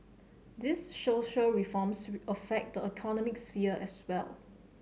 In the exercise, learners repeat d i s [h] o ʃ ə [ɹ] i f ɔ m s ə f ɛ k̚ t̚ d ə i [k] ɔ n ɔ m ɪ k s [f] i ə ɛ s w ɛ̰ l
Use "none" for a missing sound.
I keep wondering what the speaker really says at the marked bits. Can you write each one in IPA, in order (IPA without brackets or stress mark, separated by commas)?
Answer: ʃ, ɹ, kʰ, f